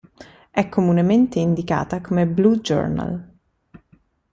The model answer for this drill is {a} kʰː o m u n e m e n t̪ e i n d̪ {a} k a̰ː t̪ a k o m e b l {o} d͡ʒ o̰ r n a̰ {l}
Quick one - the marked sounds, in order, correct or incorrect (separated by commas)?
incorrect, incorrect, incorrect, correct